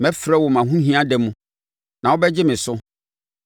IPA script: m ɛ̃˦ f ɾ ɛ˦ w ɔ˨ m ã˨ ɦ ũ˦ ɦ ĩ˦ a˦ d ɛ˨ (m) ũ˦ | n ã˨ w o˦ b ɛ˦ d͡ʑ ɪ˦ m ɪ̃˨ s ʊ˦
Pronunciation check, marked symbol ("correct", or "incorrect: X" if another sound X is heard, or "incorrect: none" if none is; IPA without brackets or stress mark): correct